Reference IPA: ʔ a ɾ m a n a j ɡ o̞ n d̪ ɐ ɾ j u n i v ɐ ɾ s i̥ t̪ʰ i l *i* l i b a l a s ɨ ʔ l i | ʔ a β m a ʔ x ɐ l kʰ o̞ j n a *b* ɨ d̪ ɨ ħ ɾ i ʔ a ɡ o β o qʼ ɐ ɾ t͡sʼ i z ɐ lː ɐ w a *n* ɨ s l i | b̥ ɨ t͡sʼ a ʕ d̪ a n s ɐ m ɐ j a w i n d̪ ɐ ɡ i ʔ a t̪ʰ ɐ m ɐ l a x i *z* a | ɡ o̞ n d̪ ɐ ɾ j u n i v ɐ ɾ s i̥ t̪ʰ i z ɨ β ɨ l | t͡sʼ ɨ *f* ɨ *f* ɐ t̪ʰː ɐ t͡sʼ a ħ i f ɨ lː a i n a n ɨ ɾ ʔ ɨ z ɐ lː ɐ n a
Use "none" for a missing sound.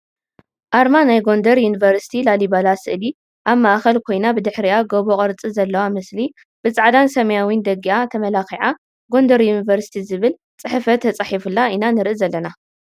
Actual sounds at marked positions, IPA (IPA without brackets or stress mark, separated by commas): a, b, m, ʕ, ħ, f